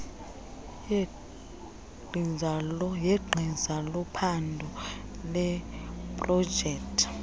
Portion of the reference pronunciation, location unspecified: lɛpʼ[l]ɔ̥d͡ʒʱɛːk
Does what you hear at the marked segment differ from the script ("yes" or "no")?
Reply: yes